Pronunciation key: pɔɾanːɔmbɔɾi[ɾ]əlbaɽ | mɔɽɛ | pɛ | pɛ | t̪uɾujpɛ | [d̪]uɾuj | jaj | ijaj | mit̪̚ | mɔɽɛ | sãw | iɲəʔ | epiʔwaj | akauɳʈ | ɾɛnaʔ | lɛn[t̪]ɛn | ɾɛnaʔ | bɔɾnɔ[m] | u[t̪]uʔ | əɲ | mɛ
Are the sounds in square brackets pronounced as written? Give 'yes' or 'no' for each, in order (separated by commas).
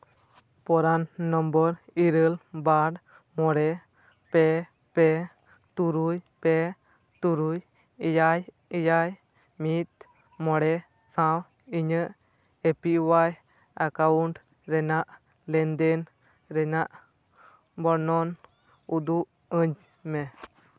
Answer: yes, no, no, no, no